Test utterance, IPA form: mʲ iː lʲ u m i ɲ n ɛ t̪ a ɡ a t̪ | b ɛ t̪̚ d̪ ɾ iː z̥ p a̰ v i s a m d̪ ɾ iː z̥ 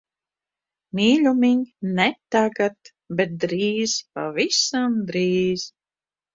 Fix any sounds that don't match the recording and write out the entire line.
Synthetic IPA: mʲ iː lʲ u m i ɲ n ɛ t̪ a ɡ a t̪ | b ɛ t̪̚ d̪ ɾ iː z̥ p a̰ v i s a m d̪ ɾ iː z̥